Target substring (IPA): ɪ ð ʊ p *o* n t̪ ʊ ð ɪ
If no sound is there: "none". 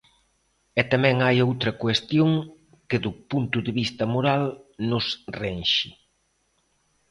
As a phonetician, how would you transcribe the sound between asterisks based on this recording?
u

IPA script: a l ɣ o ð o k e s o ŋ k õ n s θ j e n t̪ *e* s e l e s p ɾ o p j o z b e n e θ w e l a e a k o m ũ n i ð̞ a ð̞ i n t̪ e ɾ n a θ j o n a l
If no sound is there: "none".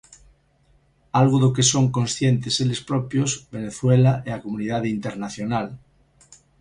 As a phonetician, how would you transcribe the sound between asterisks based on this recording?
e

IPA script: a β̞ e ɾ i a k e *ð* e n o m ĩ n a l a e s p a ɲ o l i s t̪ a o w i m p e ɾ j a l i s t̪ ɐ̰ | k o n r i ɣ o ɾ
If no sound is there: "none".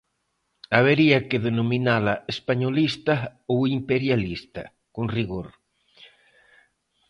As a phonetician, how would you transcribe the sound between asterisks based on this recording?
ð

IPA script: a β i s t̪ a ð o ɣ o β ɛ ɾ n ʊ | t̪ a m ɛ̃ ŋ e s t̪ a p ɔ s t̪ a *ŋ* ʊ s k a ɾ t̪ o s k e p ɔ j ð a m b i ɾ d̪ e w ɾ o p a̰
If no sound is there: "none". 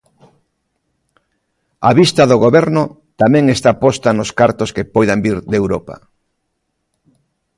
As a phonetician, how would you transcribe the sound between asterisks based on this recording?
n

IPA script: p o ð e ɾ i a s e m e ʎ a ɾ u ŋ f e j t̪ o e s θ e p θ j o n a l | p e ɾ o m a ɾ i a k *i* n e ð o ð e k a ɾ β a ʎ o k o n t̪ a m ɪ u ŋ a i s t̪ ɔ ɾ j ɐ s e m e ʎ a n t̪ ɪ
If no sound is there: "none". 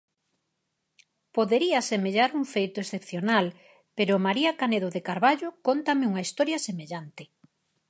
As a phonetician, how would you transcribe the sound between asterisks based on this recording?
a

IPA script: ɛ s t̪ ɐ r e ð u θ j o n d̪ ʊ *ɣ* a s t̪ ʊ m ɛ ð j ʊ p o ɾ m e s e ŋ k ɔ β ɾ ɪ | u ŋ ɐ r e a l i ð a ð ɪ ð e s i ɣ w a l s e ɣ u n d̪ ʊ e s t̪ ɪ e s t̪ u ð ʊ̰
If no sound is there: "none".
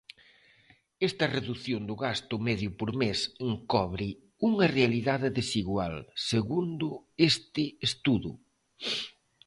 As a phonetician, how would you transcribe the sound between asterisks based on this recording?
ɣ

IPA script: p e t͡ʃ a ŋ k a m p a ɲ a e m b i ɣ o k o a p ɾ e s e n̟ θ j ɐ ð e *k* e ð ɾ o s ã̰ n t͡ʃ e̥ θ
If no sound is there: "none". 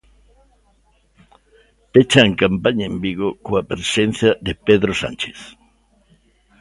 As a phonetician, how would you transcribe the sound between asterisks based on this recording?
p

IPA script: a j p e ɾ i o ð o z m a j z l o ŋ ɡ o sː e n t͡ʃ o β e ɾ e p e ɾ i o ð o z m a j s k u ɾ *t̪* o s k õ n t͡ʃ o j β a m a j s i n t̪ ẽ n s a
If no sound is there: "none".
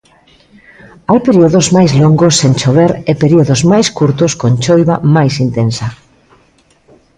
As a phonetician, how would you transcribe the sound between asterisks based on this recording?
t̪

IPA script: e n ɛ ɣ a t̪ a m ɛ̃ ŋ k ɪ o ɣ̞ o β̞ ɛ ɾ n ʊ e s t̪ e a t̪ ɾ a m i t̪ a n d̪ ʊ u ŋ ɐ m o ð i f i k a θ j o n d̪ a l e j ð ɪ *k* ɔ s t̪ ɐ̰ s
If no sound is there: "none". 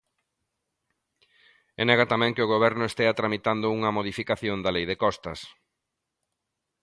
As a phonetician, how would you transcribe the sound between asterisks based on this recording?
k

